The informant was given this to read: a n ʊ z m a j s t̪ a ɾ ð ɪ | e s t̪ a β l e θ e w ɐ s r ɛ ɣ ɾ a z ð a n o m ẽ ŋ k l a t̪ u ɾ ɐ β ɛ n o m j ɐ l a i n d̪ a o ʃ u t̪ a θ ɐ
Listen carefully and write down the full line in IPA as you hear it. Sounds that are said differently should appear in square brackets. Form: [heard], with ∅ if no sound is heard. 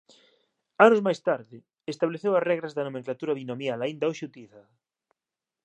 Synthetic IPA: a n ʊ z m a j s t̪ a ɾ ð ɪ | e s t̪ a β l e θ e w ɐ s r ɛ ɣ ɾ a z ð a n o m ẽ ŋ k l a t̪ u ɾ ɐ β [i] n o m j [a] l a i n d̪ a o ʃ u t̪ [i] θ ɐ